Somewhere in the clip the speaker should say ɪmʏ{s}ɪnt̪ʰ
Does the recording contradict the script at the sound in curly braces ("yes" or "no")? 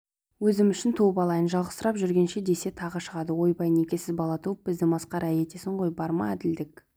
yes